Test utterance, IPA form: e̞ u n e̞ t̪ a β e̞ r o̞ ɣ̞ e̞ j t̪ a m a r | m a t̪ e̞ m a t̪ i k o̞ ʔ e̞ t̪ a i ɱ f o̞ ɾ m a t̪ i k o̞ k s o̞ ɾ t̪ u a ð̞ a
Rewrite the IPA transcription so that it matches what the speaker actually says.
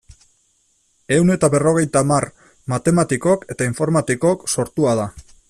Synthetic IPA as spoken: e̞ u n e̞ t̪ a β e̞ r o̞ ɣ̞ e̞ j t̪ a m a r | m a t̪ e̞ m a t̪ i k o̞ k e̞ t̪ a i ɱ f o̞ ɾ m a t̪ i k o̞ k s o̞ ɾ t̪ u a ð̞ a